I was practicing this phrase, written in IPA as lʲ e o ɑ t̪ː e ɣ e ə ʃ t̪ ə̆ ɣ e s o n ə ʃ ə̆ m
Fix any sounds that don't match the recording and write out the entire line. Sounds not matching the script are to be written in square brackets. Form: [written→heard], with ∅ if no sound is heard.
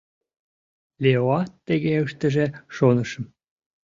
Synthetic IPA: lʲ e o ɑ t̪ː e ɣ e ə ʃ t̪ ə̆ [ɣ→ʒ] e [s→ʃ] o n ə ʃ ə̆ m

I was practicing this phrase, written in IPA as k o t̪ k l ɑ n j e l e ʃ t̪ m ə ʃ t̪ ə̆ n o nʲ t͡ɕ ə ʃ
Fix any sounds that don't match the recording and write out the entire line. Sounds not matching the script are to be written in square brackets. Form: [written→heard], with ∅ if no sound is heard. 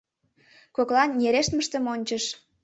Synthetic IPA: k o [t̪→∅] k l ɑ n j e [l→ɾ] e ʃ t̪ m ə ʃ t̪ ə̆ [n→m] o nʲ t͡ɕ ə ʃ

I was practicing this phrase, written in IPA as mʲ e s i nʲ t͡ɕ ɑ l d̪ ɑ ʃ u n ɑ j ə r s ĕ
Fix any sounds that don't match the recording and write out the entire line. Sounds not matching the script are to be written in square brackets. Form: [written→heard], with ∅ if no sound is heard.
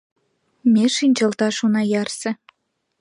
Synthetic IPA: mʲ e [s→ʃ] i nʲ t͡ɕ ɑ l [d̪→t̪] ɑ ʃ u n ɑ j [ə→ɑ] r s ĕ

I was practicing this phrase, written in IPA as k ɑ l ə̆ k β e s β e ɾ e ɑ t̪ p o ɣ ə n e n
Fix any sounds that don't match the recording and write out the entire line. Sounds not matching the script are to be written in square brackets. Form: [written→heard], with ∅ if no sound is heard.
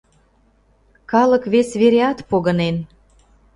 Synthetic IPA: k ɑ l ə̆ k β e s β e ɾ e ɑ t̪ p o ɣ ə n e n

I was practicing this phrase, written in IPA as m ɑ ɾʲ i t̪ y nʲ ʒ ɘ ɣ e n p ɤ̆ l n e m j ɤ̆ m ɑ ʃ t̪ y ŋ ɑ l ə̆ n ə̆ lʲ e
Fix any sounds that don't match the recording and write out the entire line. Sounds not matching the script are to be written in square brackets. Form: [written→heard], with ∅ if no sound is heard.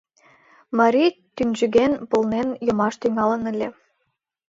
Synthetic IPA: m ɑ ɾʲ i t̪ y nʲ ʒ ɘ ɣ e n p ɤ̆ l n e [m→n] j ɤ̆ m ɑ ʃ t̪ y ŋ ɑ l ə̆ n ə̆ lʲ e

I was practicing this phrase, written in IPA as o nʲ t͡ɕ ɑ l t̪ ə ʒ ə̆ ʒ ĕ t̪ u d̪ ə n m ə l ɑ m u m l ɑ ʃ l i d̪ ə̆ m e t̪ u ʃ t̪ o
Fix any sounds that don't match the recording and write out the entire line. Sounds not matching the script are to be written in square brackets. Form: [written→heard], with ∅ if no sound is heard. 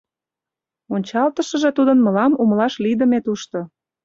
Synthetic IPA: o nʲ t͡ɕ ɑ l t̪ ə [ʒ→ʃ] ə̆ ʒ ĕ t̪ u d̪ ə n m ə l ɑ m u m l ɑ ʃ l i d̪ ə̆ m e t̪ u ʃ t̪ o

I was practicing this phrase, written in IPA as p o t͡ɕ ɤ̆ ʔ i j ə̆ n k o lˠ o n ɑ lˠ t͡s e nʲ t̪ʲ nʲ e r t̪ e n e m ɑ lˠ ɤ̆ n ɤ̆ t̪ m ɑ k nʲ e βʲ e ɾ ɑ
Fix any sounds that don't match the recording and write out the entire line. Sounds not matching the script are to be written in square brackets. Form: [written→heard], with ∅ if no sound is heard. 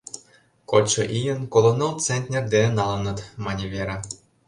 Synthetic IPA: [p→k] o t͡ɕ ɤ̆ ʔ i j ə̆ n k o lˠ o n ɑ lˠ t͡s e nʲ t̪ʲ nʲ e r [t̪→d̪] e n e [m→n] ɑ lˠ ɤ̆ n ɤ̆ t̪ m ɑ [k→∅] nʲ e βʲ e ɾ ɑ

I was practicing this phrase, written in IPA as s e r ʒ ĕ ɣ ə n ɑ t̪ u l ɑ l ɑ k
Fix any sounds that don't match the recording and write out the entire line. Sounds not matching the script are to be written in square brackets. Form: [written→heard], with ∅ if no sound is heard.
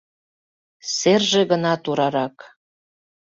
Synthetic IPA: s e r ʒ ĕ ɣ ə n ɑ t̪ u [l→ɾ] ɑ [l→ɾ] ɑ k

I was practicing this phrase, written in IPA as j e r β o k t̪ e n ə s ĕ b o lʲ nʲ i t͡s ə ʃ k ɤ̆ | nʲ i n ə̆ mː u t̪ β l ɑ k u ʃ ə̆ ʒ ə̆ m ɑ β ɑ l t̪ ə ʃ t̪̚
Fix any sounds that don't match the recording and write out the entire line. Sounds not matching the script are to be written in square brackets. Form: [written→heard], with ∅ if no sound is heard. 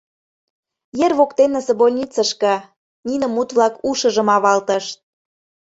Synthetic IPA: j e r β o k t̪ e n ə s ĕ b o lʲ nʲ i t͡s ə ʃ k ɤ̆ | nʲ i n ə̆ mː u t̪ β l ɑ k u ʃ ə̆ ʒ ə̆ m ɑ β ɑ l t̪ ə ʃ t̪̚

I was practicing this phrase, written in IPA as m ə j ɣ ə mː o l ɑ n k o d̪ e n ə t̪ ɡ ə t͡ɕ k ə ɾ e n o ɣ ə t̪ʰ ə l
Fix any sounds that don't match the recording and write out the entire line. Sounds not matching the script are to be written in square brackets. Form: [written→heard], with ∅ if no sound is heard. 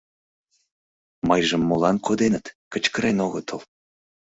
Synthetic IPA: m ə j [ɣ→ʒ] ə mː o l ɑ n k o d̪ e n ə t̪ [ɡ→k] ə t͡ɕ k ə ɾ e n o ɣ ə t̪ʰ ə l

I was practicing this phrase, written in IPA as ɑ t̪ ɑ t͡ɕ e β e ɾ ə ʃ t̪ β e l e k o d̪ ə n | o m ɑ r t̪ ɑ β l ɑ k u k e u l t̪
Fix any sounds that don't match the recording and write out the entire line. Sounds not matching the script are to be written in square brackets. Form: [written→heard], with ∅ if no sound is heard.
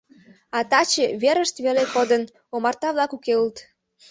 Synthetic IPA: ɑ t̪ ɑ t͡ɕ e β e ɾ ə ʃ t̪ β e l e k o d̪ ə n | o m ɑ r t̪ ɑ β l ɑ k u k e u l t̪

